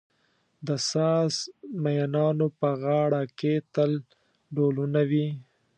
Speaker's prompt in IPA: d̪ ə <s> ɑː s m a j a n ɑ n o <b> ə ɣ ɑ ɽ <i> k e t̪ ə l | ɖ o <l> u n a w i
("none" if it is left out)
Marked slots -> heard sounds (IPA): s, p, a, l

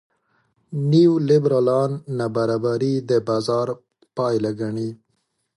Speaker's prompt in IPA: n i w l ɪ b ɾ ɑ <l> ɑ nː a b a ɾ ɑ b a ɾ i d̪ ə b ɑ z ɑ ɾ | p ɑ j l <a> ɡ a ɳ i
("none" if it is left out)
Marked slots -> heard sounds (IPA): l, a

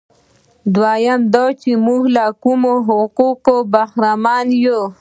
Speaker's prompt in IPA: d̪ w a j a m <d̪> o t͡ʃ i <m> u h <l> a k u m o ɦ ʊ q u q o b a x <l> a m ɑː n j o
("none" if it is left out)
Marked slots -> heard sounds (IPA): d̪, m, l, ɾ

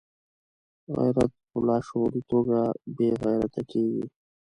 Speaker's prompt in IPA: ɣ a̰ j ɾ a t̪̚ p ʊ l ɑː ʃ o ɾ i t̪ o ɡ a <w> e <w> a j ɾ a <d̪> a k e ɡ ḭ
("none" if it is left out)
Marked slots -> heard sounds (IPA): b, ɣ, t̪

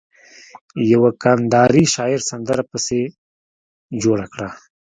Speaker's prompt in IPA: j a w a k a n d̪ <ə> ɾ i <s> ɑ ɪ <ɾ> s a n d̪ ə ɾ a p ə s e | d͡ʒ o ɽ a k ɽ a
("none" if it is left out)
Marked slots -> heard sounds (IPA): ɑ, ʃ, ɾ

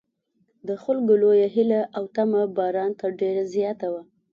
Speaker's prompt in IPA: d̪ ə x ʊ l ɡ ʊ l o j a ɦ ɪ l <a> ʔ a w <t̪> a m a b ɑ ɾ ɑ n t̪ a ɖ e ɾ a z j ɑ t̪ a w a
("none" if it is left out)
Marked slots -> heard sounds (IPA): a, t̪

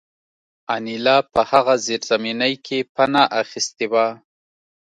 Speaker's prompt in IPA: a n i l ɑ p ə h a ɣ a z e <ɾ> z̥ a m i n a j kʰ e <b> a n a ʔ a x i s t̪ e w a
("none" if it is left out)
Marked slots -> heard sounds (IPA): ɾ, p

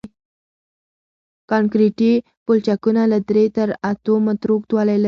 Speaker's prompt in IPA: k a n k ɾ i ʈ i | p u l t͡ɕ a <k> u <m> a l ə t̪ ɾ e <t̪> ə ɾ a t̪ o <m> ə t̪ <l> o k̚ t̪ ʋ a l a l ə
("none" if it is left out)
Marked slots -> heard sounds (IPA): k, n, t̪, m, ɾ

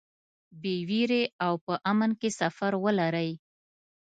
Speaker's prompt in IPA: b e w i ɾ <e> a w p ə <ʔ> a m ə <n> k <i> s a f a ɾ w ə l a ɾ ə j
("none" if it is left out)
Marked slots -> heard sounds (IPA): e, ʔ, n, e

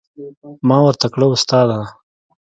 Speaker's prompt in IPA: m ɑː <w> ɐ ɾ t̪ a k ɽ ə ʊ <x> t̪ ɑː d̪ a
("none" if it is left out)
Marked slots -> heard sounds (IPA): w, s

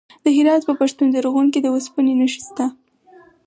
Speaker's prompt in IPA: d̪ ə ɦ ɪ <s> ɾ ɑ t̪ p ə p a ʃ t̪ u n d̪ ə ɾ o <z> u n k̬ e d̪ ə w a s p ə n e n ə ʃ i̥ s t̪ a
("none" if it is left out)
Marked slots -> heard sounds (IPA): none, ɣ

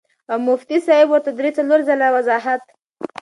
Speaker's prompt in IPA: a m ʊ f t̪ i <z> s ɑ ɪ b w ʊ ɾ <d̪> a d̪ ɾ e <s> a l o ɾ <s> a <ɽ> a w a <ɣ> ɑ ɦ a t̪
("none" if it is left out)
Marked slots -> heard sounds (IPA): none, t̪, t͡s, z, l, z

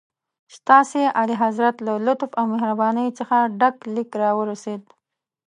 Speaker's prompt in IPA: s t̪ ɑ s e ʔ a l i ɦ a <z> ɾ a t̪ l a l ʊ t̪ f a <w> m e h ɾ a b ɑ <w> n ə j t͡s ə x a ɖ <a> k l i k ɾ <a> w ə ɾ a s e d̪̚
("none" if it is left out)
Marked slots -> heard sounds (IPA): z, w, none, a, ɑ

